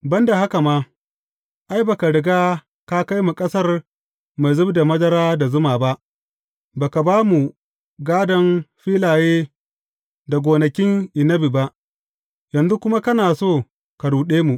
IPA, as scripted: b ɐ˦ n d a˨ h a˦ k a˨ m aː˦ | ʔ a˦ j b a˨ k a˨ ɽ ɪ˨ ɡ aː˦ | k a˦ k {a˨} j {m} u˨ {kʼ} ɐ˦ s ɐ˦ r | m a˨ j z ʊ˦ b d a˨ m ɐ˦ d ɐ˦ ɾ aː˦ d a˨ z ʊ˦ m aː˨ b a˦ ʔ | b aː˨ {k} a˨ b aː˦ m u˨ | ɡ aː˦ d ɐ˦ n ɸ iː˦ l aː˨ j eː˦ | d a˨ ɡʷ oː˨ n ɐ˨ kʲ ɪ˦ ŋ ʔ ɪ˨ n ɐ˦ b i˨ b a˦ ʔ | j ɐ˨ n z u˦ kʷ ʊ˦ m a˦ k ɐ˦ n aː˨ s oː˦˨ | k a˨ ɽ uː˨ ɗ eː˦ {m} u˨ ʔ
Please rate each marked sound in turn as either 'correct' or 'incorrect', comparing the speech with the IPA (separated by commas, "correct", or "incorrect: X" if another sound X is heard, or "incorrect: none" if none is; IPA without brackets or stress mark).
incorrect: a˦, correct, correct, correct, correct